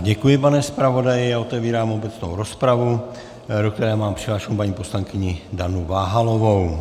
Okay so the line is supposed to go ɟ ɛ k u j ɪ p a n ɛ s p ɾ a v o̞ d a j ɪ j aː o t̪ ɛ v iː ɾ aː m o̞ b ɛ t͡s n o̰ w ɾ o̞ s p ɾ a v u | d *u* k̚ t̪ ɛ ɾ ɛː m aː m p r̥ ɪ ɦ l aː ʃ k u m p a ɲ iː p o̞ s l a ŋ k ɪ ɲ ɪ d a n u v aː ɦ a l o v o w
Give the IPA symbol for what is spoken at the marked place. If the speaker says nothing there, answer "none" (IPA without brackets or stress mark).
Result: o